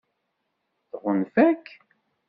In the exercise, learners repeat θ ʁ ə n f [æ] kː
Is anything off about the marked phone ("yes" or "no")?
no